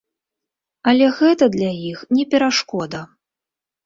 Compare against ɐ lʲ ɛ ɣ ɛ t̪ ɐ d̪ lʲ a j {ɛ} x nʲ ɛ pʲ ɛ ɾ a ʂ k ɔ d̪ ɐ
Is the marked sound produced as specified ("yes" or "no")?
no